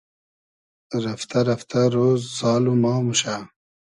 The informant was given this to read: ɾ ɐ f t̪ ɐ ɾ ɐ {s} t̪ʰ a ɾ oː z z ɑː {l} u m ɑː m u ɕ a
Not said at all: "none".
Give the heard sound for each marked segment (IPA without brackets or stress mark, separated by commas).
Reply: f, l